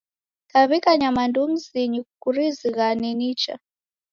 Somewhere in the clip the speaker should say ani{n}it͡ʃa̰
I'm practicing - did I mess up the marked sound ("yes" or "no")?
no